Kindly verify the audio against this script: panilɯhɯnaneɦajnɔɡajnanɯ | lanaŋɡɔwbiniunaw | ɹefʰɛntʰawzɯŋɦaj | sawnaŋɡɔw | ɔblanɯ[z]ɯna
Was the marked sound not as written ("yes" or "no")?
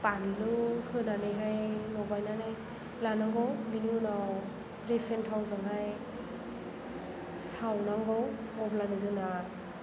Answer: no